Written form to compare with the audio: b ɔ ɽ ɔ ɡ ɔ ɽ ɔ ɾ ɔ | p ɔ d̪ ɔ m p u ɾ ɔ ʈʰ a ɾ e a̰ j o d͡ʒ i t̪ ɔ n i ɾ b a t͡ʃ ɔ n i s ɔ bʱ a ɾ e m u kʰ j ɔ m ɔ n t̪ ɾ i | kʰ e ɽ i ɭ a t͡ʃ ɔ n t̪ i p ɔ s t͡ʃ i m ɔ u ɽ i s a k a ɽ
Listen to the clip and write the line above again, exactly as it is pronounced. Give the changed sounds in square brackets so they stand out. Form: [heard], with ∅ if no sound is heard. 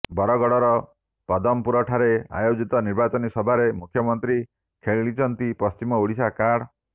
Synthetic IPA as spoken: b ɔ [ɾ] ɔ ɡ ɔ ɽ ɔ ɾ ɔ | p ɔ d̪ ɔ m p u ɾ ɔ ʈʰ a ɾ e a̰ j o d͡ʒ i t̪ ɔ n i ɾ b a t͡ʃ ɔ n i s ɔ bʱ a ɾ e m u kʰ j ɔ m ɔ n t̪ ɾ i | kʰ e [ɭ] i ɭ [i] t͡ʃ ɔ n t̪ i p ɔ s t͡ʃ i m ɔ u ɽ i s a k a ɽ

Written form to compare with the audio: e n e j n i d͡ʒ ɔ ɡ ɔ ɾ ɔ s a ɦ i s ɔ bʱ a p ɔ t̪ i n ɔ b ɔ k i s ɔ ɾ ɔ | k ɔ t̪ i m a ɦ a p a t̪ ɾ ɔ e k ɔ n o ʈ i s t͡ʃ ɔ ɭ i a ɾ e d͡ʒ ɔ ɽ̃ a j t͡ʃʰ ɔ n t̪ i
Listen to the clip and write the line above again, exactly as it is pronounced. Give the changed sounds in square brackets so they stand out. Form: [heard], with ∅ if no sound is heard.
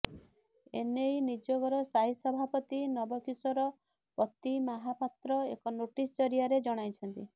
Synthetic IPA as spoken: e n e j n i d͡ʒ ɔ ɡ ɔ ɾ ɔ s a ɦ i s ɔ bʱ a p ɔ t̪ i n ɔ b ɔ k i s ɔ ɾ ɔ | [p] ɔ t̪ i m a ɦ a p a t̪ ɾ ɔ e k ɔ n o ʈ i s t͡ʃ ɔ [ɾ] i a ɾ e d͡ʒ ɔ ɽ̃ a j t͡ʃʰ ɔ n t̪ i

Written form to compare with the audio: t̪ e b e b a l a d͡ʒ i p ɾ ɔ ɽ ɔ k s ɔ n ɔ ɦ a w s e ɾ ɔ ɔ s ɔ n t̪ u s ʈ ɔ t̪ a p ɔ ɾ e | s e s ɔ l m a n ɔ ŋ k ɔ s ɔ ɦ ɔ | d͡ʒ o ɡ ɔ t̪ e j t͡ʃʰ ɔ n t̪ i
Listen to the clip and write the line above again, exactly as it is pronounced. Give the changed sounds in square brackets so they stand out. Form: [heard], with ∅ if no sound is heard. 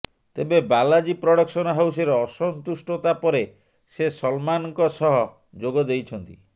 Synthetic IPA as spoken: t̪ e b e b a l a d͡ʒ i p ɾ ɔ ɽ ɔ k s ɔ n ɔ ɦ a w s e ɾ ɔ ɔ s ɔ n t̪ u s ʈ ɔ t̪ a p ɔ ɾ e | s e s ɔ l m a n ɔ ŋ k ɔ s ɔ ɦ ɔ | d͡ʒ o ɡ ɔ [d̪] e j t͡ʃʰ ɔ n t̪ i

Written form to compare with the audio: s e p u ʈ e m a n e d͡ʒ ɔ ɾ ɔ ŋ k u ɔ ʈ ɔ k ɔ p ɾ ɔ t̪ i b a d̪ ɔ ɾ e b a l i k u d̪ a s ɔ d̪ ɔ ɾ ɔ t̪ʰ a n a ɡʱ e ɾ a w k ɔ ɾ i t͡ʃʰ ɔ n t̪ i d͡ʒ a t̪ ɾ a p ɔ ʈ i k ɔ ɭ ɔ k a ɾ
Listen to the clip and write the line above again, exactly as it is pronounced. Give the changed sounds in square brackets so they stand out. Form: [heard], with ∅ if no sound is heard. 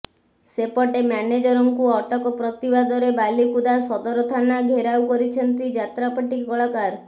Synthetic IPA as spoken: s e p [ɔ] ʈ e m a n e d͡ʒ ɔ ɾ ɔ ŋ k u ɔ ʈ ɔ k ɔ p ɾ ɔ t̪ i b a d̪ ɔ ɾ e b a l i k u d̪ a s ɔ d̪ ɔ ɾ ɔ t̪ʰ a n a ɡʱ e ɾ a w k ɔ ɾ i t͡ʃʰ ɔ n t̪ i d͡ʒ a t̪ ɾ a p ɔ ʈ i k ɔ ɭ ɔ k a ɾ

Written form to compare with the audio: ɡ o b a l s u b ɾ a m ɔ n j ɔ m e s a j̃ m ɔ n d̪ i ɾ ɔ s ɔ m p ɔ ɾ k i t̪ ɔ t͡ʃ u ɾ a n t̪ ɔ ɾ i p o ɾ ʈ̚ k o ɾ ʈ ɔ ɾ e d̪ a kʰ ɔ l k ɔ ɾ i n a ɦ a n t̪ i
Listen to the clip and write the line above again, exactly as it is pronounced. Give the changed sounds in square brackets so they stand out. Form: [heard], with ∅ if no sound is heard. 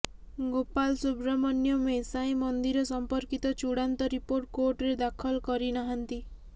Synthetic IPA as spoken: ɡ o [p] a l s u b ɾ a m ɔ n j ɔ m e s a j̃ m ɔ n d̪ i ɾ ɔ s ɔ m p ɔ ɾ k i t̪ ɔ t͡ʃ u [ɽ] a n t̪ ɔ ɾ i p o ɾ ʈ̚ k o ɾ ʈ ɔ ɾ e d̪ a kʰ ɔ l k ɔ ɾ i n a ɦ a n t̪ i

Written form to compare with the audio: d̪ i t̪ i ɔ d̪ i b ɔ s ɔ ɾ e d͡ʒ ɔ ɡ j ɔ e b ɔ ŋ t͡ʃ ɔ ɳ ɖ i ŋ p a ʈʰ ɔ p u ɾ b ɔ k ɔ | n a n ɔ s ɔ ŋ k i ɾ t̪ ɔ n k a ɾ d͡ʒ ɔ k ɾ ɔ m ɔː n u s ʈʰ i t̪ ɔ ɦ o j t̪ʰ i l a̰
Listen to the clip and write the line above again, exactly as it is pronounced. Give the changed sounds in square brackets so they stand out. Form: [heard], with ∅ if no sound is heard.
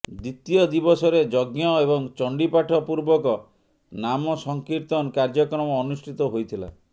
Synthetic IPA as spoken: d̪ i t̪ i ɔ d̪ i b ɔ s ɔ ɾ e d͡ʒ ɔ ɡ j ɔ e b ɔ ŋ t͡ʃ ɔ ɳ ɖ i [∅] p a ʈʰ ɔ p u ɾ b ɔ k ɔ | n a [m] ɔ s ɔ ŋ k i ɾ t̪ ɔ n k a ɾ d͡ʒ ɔ k ɾ ɔ m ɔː n u s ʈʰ i t̪ ɔ ɦ o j t̪ʰ i l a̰

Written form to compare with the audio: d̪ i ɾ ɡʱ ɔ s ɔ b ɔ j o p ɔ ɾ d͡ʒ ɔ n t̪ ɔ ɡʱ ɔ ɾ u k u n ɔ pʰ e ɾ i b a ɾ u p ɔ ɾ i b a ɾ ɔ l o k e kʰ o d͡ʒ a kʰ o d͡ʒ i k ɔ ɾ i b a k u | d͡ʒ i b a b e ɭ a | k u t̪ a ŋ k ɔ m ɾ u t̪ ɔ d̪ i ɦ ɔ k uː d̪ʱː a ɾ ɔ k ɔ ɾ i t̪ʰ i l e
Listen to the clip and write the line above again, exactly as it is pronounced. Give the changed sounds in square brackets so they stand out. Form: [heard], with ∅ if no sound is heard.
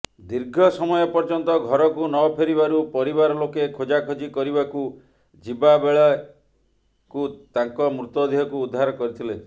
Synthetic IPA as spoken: d̪ i ɾ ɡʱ ɔ s ɔ [m] ɔ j [ɔ] p ɔ ɾ d͡ʒ ɔ n t̪ ɔ ɡʱ ɔ ɾ [ɔ] k u n ɔ pʰ e ɾ i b a ɾ u p ɔ ɾ i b a ɾ ɔ l o k e kʰ o d͡ʒ a kʰ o d͡ʒ i k ɔ ɾ i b a k u | d͡ʒ i b a b e ɭ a | k u t̪ a ŋ k ɔ m ɾ u t̪ ɔ d̪ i ɦ ɔ k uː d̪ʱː a ɾ ɔ k ɔ ɾ i t̪ʰ i l e

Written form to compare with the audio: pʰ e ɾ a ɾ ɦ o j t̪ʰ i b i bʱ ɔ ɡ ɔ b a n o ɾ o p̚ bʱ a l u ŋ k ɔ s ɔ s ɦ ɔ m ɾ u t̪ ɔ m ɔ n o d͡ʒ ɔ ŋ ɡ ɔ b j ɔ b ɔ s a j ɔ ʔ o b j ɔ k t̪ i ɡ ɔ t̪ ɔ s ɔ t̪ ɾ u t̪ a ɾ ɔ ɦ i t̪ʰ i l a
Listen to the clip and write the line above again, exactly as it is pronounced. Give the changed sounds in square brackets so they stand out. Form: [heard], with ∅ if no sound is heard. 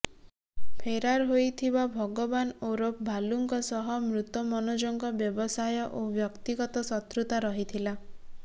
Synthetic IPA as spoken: pʰ e ɾ a ɾ ɦ o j t̪ʰ i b [a] bʱ ɔ ɡ ɔ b a n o ɾ o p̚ bʱ a l u ŋ k ɔ s ɔ [∅] ɦ ɔ m ɾ u t̪ ɔ m ɔ n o d͡ʒ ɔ ŋ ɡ ɔ b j ɔ b ɔ s a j ɔ ʔ o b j ɔ k t̪ i ɡ ɔ t̪ ɔ s ɔ t̪ ɾ u t̪ a ɾ ɔ ɦ i t̪ʰ i l a

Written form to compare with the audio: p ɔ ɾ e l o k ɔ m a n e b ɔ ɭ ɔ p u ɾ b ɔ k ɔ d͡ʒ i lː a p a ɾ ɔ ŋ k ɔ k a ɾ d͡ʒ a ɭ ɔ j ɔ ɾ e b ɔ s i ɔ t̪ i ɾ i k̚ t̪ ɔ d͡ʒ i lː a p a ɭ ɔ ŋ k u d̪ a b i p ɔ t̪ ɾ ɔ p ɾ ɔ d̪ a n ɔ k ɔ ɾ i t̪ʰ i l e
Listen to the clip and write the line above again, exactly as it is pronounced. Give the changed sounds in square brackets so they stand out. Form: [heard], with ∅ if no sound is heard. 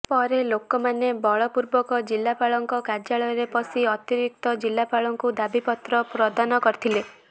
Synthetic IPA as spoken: p ɔ ɾ e l o k ɔ m a n e b ɔ ɭ ɔ p u ɾ b ɔ k ɔ d͡ʒ i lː a p a [ɭ] ɔ ŋ k ɔ k a ɾ d͡ʒ a ɭ ɔ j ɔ ɾ e [p] ɔ s i ɔ t̪ i ɾ i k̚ t̪ ɔ d͡ʒ i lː a p a ɭ ɔ ŋ k u d̪ a b i p ɔ t̪ ɾ ɔ p ɾ ɔ d̪ a n ɔ k ɔ ɾ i t̪ʰ i l e

